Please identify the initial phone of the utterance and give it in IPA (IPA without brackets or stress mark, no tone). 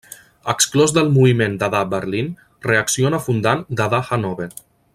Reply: ə